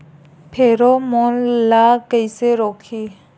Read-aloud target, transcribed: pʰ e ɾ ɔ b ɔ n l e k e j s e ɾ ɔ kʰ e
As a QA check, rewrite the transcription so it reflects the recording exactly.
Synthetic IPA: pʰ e ɾ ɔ m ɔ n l a k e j s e ɾ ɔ kʰ i